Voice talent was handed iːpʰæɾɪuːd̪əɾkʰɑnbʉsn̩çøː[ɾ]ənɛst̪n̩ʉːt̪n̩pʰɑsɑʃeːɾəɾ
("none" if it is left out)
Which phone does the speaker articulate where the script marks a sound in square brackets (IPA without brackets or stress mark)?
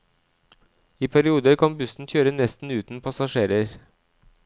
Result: ɾ